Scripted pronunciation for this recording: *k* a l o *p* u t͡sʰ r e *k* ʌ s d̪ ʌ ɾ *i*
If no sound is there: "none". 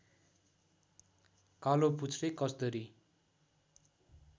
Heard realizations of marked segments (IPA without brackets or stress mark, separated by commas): k, p, k, i